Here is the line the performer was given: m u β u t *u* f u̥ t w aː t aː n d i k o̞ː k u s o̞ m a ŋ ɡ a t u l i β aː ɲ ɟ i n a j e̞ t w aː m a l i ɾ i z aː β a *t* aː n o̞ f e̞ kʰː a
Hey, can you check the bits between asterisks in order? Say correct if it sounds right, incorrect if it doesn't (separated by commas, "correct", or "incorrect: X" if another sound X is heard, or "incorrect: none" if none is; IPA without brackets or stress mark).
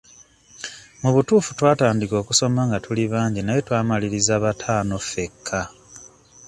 incorrect: uː, incorrect: tʰ